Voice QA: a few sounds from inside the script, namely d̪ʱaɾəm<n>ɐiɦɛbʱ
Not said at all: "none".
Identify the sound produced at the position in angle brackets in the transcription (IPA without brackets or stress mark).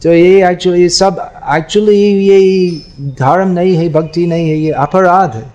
n